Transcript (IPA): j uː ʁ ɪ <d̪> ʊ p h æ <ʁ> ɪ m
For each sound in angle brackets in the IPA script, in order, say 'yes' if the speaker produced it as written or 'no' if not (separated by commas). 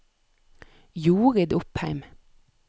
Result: yes, no